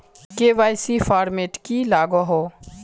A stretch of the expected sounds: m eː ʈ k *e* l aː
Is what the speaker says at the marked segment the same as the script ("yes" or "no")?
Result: no